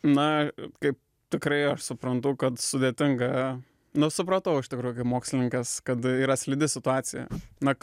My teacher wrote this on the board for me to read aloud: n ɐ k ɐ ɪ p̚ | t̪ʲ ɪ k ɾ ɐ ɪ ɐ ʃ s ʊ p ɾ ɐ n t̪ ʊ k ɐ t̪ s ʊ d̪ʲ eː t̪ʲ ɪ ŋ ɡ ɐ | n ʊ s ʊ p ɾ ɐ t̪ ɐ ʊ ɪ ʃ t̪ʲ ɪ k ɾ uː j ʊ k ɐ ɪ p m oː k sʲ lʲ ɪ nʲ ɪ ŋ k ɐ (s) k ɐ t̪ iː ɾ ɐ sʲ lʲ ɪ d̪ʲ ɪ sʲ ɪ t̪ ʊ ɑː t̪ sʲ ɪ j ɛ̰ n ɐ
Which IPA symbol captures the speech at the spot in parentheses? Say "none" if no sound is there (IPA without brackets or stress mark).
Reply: s